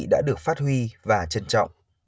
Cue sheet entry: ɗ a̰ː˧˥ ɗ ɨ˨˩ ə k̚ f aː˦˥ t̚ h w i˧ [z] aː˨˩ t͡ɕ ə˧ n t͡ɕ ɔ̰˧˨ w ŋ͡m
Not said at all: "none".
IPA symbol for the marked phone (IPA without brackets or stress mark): v